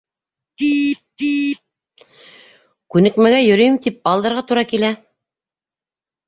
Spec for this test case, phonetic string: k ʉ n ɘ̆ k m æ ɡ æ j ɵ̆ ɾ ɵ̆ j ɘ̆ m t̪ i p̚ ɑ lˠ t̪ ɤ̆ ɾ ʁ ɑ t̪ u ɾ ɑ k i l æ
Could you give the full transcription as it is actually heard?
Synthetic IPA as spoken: k ʉ n ɘ̆ k m æ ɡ æ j ɵ̆ ɾ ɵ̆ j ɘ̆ m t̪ i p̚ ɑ lˠ d̪ ɤ̆ ɾ ʁ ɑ t̪ u ɾ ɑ k i l æ